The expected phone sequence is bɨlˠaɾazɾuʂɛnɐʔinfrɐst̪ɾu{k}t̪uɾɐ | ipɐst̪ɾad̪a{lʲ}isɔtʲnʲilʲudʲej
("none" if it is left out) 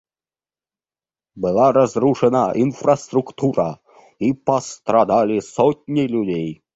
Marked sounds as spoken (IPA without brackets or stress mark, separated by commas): k, lʲ